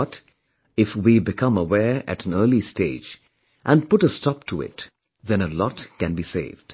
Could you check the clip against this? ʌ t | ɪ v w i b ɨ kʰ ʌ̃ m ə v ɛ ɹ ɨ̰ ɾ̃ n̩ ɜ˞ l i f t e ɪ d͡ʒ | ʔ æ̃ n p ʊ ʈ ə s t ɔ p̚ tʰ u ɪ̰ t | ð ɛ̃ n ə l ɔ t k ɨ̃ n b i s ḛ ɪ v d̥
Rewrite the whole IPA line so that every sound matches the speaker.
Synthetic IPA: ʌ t | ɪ f w i b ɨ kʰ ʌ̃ m ə w ɛ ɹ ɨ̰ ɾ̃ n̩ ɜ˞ l i s t e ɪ d͡ʒ | ʔ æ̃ n p ʊ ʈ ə s t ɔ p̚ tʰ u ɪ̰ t | ð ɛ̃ n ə l ɔ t k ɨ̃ n b i s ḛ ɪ v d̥